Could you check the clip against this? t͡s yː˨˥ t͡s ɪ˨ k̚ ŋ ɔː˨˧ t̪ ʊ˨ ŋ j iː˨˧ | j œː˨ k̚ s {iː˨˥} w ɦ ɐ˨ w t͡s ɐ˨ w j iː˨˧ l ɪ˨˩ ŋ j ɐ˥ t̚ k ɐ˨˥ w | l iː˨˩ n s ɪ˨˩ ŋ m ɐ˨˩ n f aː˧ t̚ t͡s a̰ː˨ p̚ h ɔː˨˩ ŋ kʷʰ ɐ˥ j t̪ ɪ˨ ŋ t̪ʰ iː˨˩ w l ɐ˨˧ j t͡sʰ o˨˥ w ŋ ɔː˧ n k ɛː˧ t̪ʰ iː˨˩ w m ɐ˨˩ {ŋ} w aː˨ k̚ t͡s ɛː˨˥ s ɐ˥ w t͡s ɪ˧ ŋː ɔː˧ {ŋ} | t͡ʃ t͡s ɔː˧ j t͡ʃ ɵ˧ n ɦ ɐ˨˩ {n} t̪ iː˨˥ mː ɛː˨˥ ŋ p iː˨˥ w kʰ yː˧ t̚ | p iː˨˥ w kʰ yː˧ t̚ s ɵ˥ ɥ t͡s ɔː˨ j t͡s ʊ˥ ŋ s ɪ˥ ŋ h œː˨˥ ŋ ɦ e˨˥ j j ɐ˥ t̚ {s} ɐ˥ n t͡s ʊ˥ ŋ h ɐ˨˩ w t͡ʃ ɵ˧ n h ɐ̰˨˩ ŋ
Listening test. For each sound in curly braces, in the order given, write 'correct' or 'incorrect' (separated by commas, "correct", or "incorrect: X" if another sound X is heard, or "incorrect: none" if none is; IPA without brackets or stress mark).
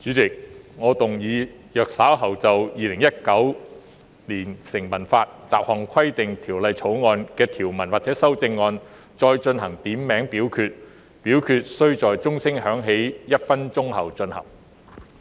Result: incorrect: aː˨˥, incorrect: n, incorrect: n, incorrect: ŋ, incorrect: f